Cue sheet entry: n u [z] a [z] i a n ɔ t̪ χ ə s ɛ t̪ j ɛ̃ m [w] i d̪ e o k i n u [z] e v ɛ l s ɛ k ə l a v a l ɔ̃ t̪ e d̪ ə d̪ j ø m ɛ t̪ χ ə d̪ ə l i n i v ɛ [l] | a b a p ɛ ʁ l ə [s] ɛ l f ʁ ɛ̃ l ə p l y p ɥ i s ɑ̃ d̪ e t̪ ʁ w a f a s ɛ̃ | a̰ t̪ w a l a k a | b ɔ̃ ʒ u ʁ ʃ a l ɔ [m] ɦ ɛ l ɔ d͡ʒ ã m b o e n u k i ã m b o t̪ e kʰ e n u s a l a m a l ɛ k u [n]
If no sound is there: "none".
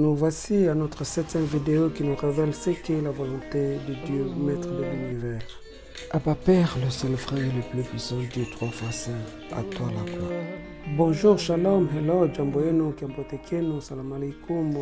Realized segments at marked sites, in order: v, s, v, ʁ, l, s, m, m

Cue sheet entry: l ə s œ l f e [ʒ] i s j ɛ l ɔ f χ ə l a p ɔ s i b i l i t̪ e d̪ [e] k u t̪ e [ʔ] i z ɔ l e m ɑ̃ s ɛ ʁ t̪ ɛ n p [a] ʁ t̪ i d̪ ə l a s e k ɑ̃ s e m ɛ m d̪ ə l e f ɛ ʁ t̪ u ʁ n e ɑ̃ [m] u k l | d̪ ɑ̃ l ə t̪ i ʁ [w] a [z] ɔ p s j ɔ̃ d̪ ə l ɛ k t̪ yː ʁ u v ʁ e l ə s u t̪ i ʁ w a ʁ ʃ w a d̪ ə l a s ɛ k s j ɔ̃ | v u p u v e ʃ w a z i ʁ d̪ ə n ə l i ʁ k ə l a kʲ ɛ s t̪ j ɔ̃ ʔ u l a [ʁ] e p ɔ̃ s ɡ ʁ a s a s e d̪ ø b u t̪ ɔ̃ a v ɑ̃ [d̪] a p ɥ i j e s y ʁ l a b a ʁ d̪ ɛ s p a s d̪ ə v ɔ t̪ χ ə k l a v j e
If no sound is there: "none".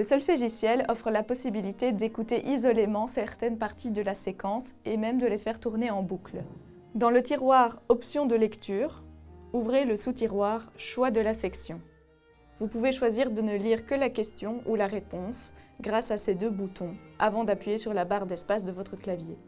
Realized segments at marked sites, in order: ʒ, e, ʔ, a, b, w, ʁ, ʁ, d̪

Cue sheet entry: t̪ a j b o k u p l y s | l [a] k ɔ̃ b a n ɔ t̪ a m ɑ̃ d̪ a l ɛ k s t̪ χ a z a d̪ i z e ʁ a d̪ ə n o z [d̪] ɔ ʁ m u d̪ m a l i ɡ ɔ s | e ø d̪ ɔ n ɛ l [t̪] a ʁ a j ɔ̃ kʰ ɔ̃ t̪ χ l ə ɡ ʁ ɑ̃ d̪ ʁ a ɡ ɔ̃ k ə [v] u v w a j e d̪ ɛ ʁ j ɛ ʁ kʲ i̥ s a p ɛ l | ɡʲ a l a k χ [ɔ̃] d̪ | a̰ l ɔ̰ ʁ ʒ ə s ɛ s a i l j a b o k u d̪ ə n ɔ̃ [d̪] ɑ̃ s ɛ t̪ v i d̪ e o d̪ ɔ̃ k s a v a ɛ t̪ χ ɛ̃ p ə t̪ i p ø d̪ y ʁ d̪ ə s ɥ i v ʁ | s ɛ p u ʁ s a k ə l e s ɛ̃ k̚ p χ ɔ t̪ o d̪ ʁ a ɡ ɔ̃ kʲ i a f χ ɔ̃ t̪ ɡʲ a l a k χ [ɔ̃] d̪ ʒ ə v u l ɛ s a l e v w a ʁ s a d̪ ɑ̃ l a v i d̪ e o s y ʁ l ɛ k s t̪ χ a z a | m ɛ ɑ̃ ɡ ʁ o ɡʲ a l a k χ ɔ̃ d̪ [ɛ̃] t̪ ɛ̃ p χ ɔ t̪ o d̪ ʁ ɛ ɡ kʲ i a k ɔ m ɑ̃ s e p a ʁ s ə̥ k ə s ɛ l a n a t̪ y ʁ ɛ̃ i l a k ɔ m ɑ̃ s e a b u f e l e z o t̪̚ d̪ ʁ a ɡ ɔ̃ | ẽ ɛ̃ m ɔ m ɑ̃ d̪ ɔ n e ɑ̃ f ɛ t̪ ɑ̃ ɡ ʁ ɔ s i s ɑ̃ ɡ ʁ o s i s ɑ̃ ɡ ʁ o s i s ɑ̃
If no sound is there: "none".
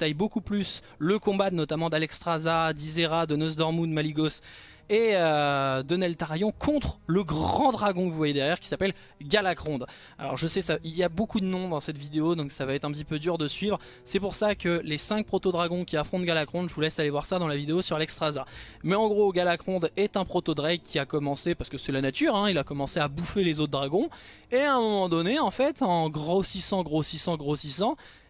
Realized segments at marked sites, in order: ə, d̪, t̪, v, ɔ̃, d̪, ɔ̃, ɛ

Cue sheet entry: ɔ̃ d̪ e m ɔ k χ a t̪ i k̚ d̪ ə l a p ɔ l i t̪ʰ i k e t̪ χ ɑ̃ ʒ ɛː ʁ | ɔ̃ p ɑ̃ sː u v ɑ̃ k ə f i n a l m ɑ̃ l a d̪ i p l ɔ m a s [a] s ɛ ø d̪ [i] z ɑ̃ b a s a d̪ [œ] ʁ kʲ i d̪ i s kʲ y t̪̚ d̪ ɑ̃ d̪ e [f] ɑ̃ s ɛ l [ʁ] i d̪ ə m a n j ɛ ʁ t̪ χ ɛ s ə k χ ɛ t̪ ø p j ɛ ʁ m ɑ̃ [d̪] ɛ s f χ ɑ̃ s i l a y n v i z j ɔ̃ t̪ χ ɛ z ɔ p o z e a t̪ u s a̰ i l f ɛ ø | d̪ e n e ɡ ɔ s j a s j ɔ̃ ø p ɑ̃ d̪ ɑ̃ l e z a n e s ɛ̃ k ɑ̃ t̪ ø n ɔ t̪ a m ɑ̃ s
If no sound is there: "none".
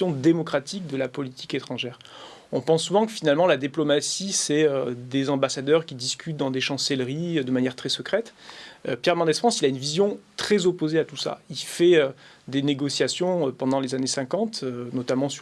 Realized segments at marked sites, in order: i, e, œ, ʃ, ʁ, d̪

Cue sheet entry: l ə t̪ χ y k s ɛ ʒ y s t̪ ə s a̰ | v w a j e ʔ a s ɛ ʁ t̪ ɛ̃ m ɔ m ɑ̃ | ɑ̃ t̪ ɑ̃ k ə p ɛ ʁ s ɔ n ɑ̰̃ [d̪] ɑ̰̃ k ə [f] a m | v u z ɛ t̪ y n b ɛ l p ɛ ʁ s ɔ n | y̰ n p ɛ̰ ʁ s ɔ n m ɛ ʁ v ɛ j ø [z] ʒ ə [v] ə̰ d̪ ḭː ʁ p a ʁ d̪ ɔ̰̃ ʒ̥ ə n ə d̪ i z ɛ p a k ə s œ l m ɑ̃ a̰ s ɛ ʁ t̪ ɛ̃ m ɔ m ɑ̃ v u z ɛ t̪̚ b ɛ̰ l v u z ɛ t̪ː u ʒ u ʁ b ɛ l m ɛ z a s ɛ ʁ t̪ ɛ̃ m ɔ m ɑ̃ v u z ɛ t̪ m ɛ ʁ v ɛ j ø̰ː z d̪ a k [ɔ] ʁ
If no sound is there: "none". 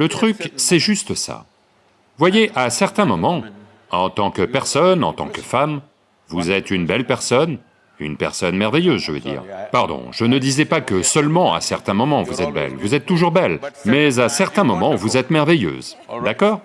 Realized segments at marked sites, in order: t̪, f, z, v, ɔː

